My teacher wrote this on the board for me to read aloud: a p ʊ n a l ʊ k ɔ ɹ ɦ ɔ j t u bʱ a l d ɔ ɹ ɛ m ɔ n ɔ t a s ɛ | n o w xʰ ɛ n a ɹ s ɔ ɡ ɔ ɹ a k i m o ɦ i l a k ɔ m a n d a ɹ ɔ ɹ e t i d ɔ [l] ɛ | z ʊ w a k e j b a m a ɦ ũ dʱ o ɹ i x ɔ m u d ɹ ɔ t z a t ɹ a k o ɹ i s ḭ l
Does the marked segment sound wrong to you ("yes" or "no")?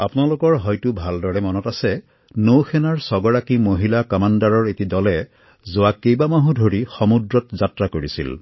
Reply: no